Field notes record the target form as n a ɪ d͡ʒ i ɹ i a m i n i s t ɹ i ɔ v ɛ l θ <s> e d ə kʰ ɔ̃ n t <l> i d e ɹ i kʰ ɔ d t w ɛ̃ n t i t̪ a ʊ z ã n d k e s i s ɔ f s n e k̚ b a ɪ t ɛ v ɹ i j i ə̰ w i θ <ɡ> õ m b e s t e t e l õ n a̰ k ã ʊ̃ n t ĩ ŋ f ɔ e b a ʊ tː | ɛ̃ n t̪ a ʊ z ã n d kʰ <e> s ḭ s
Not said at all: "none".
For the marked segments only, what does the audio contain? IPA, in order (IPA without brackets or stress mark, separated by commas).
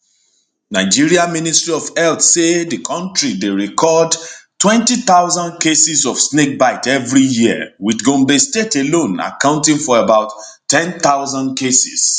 s, ɹ, ɡ, e